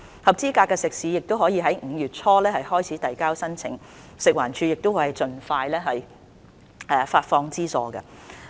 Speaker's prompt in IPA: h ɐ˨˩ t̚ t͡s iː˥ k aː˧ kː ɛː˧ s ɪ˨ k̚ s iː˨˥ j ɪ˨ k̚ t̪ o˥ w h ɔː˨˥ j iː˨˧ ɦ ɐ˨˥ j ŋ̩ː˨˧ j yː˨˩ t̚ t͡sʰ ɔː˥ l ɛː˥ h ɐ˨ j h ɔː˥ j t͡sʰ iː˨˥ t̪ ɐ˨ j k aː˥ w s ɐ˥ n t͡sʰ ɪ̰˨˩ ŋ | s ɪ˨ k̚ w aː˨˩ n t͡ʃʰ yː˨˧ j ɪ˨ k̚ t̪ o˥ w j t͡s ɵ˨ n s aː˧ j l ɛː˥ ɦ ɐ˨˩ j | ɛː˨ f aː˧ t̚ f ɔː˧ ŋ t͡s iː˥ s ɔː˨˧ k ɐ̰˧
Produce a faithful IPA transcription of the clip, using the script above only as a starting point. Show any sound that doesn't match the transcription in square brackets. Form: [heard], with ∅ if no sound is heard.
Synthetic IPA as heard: h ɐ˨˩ [p̚] t͡s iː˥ k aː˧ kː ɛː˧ s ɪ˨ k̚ s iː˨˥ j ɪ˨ k̚ t̪ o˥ w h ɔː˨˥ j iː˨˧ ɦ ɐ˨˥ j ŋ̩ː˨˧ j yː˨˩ t̚ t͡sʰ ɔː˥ l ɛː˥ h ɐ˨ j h ɔː˥ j t͡sʰ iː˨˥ t̪ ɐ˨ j k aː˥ w s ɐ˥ n t͡sʰ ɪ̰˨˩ ŋ | s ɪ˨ k̚ w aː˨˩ n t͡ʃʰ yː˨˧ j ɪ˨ k̚ t̪ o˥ w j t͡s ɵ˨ n [f] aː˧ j l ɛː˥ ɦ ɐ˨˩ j | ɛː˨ f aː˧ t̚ f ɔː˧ ŋ t͡s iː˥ s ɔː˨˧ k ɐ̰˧